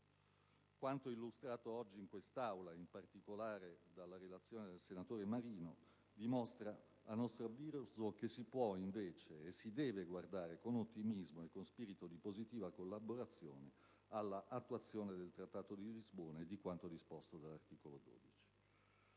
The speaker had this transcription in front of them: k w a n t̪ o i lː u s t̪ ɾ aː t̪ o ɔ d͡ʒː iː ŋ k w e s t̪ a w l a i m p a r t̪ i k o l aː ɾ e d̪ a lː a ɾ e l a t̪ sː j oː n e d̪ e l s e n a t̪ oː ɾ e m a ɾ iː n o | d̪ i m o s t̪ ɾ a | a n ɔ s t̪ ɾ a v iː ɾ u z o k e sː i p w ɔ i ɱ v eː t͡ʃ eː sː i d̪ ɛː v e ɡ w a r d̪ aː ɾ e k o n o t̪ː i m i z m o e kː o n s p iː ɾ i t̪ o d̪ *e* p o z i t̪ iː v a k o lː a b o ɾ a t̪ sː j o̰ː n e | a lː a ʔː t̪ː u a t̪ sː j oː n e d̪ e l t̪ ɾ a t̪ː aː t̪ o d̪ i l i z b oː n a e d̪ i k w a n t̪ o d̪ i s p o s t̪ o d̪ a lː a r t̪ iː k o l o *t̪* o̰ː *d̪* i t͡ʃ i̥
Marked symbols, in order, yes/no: no, no, yes

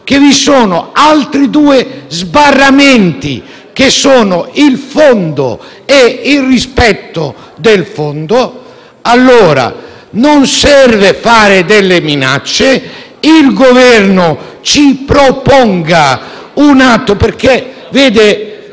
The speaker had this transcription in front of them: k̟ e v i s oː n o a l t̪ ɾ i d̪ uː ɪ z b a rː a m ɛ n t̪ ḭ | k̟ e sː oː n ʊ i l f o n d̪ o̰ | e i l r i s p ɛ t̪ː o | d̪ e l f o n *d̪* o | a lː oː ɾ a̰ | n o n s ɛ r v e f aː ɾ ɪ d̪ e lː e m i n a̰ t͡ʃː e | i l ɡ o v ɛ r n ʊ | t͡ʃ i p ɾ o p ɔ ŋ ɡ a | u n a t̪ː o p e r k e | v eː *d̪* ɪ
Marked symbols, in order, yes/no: yes, yes

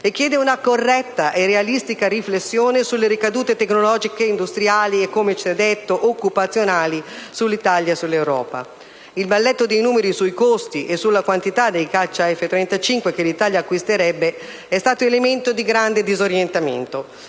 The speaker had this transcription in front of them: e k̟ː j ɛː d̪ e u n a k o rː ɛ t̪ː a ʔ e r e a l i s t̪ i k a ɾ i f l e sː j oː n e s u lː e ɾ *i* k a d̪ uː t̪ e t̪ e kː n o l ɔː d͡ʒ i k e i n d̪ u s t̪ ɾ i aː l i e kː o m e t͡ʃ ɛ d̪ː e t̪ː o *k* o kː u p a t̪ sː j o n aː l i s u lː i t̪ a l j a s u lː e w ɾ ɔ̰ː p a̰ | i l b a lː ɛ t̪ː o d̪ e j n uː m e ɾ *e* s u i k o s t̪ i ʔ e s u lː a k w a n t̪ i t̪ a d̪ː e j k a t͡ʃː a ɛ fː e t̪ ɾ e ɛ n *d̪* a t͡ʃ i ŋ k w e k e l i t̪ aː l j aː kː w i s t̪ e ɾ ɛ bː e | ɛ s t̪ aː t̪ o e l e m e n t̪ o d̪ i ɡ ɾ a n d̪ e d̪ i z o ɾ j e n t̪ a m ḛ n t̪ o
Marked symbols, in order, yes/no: yes, no, no, no

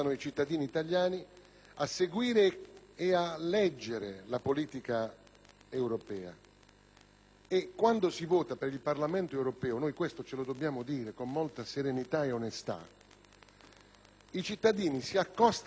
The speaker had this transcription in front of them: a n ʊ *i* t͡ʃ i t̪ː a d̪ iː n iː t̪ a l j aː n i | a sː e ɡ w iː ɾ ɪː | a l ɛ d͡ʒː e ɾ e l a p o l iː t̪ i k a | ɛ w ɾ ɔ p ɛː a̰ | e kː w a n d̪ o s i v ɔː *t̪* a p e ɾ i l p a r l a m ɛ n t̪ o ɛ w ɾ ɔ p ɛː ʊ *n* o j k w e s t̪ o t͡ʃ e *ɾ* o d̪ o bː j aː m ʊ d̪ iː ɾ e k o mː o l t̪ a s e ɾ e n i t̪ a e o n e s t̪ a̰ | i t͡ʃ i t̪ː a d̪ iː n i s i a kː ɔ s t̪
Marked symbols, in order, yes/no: yes, yes, yes, no

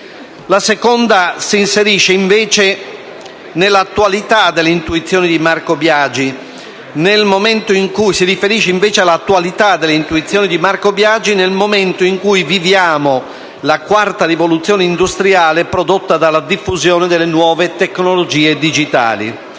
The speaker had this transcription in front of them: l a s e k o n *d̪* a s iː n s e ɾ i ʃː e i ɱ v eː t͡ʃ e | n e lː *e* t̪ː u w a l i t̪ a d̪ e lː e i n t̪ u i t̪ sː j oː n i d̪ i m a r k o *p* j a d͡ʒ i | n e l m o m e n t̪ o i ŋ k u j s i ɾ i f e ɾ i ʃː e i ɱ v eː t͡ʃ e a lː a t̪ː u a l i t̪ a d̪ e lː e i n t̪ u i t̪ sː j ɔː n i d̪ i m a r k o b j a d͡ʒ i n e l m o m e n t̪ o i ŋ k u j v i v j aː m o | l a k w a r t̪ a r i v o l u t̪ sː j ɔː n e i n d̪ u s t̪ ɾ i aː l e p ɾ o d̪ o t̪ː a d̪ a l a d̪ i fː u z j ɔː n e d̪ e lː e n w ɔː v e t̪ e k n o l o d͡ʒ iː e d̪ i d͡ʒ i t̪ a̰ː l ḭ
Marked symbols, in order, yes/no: yes, no, no

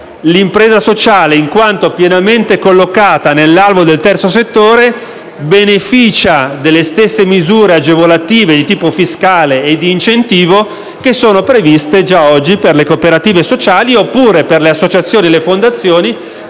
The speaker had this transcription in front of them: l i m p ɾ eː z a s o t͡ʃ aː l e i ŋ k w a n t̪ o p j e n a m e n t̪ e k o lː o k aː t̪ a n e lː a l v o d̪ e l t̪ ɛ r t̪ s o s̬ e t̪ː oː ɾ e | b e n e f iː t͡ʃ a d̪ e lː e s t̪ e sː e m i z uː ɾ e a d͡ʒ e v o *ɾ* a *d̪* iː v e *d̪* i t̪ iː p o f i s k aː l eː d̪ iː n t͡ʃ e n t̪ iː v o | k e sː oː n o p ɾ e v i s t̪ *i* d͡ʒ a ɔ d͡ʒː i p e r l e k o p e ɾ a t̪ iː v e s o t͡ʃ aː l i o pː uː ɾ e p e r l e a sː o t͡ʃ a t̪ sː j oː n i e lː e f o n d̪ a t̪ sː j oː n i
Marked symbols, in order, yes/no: no, no, yes, no

